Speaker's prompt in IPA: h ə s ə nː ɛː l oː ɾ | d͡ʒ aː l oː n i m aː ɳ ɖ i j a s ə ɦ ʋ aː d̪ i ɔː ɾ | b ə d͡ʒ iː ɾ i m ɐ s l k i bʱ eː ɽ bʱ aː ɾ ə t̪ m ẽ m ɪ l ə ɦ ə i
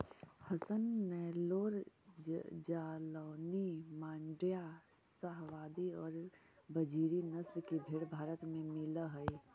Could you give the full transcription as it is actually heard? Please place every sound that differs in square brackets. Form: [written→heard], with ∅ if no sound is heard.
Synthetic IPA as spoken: h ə s ə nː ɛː l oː ɾ | d͡ʒ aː l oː n i m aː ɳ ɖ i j a s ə ɦ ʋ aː d̪ i ɔː ɾ | b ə d͡ʒ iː ɾ i [m→n] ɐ s l k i bʱ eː ɽ bʱ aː ɾ ə t̪ m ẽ m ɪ l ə ɦ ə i